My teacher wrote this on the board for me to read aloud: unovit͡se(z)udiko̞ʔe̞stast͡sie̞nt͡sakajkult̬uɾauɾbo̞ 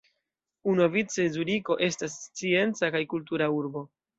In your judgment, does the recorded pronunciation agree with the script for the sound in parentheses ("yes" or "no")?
yes